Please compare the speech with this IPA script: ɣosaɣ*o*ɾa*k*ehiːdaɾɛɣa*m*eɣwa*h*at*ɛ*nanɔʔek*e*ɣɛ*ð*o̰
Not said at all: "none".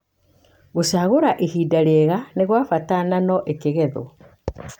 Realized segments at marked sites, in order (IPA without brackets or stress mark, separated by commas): o, ʔ, n, f, a, e, ð